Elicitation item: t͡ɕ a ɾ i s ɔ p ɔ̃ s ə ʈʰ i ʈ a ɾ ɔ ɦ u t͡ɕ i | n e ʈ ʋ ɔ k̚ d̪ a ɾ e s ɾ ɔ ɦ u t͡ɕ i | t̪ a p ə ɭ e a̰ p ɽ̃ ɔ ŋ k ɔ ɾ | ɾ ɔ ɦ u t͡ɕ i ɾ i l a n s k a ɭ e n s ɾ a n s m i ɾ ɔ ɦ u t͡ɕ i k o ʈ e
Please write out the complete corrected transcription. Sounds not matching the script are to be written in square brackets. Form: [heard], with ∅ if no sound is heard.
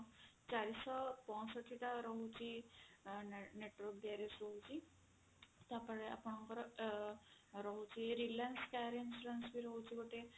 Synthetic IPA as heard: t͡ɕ a ɾ i s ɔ p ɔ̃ s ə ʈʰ i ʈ a ɾ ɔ ɦ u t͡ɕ i | n e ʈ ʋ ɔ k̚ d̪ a ɾ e s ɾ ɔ ɦ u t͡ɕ i | t̪ a p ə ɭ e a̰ p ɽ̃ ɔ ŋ k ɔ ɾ | ɾ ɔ ɦ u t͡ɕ i ɾ i l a n s k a [ɾ] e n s ɾ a n s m i ɾ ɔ ɦ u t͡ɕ i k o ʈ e